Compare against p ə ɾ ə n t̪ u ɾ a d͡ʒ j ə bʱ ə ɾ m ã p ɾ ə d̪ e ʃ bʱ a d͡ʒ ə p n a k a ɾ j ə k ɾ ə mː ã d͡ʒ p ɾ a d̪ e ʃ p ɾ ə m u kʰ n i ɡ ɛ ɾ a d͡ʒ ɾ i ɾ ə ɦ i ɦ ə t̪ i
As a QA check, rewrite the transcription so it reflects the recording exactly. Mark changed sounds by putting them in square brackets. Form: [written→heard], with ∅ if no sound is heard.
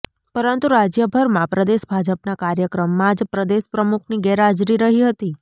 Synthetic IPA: p ə ɾ ə n t̪ u ɾ a d͡ʒ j ə bʱ ə ɾ m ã p ɾ ə d̪ e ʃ bʱ a d͡ʒ ə p n a k a ɾ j ə k ɾ ə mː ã d͡ʒ p ɾ [a→ə] d̪ e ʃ p ɾ ə m u kʰ n i ɡ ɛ ɾ a d͡ʒ ɾ i ɾ ə ɦ i ɦ ə t̪ i

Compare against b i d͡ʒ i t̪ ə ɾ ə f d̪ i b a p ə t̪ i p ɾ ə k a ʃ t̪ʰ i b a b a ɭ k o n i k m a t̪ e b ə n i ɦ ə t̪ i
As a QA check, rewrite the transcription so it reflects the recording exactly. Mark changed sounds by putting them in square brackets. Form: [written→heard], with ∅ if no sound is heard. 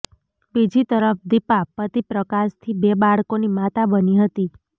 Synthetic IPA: b i d͡ʒ i t̪ ə ɾ ə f d̪ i [b→p] a p ə t̪ i p ɾ ə k a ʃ t̪ʰ i b [a→e] b a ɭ k o n i [k→∅] m a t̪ [e→a] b ə n i ɦ ə t̪ i

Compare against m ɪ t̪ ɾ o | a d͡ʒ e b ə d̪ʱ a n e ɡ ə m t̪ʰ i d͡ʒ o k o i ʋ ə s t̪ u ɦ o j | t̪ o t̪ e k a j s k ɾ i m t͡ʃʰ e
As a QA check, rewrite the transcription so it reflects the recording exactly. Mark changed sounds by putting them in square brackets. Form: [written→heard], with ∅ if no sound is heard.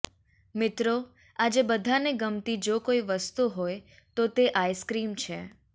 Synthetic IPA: m ɪ t̪ ɾ o | a d͡ʒ e b ə d̪ʱ a n e ɡ ə m [t̪ʰ→t̪] i d͡ʒ o k o i ʋ ə s t̪ u ɦ o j | t̪ o t̪ e [k→ʔ] a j s k ɾ i m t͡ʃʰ e

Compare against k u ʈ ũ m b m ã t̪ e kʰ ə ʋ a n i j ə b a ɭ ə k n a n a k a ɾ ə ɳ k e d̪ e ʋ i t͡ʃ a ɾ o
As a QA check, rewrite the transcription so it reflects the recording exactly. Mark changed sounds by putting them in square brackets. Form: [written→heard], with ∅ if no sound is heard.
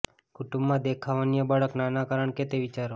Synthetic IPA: k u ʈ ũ m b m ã [t̪→d̪] e kʰ [ə→a] ʋ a n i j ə b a ɭ ə k n a n a k a ɾ ə ɳ k e [d̪→t̪] e ʋ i t͡ʃ a ɾ o

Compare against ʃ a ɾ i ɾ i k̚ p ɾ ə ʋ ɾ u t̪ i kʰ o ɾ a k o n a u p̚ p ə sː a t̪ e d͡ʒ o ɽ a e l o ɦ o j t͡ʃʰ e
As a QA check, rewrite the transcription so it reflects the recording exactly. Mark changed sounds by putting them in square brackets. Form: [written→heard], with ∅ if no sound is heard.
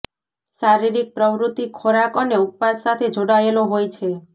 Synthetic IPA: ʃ a ɾ i ɾ i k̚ p ɾ ə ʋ ɾ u t̪ i kʰ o ɾ a k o n [a→e] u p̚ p [ə→a] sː a [t̪→t̪ʰ] e d͡ʒ o ɽ a e l o ɦ o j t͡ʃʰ e

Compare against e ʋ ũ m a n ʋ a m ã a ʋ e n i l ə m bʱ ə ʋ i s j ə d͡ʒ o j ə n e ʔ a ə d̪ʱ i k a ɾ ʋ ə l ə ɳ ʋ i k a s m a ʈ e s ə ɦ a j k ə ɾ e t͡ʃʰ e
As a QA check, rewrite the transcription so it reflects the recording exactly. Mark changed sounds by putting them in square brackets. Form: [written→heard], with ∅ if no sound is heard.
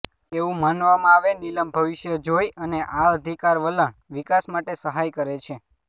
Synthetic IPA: e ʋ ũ m a n ʋ a m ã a ʋ e n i l ə m bʱ ə ʋ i [s→ʃ] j ə d͡ʒ o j ə n e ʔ a ə d̪ʱ i k a ɾ ʋ ə l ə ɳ ʋ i k a s m a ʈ e s ə ɦ a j k ə ɾ e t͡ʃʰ e

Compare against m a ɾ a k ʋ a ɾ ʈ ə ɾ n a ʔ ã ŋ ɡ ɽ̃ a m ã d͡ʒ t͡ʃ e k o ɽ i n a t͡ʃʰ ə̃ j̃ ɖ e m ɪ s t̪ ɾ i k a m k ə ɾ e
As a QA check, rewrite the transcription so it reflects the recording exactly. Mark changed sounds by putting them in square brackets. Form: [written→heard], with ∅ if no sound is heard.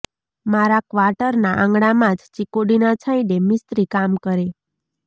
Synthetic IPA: m a ɾ a k ʋ a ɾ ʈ ə ɾ n a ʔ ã ŋ ɡ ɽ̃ a m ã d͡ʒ t͡ʃ [e→i] k o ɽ i n a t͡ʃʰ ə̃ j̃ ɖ e m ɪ s t̪ ɾ i k a m k ə ɾ e

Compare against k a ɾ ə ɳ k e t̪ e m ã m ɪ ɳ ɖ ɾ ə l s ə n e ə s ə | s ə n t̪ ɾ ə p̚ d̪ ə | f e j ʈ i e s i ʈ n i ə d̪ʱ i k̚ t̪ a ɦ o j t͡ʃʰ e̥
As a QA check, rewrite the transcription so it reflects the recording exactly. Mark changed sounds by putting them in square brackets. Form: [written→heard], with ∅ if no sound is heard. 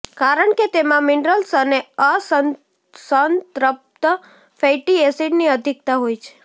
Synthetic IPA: k a ɾ ə ɳ k e t̪ e m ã m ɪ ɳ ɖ ɾ ə l s ə n e ə s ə | s ə n t̪ ɾ ə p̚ [d̪→t̪] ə | f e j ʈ i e s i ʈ n i ə d̪ʱ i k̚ t̪ a ɦ o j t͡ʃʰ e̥

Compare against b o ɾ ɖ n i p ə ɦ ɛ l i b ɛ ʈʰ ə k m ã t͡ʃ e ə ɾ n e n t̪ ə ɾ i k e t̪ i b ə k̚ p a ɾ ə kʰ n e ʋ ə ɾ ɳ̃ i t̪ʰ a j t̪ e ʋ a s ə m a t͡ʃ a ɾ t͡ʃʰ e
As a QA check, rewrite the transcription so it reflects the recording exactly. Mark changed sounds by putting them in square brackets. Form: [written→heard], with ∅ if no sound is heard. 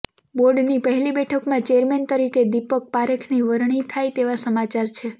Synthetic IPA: b o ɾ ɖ n i p ə ɦ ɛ l i b ɛ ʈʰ ə k m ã t͡ʃ e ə ɾ [n→m] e n t̪ ə ɾ i k e [t̪→d̪] i [b→p] ə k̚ p a ɾ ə kʰ n [e→i] ʋ ə ɾ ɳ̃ i t̪ʰ a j t̪ e ʋ a s ə m a t͡ʃ a ɾ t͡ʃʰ e

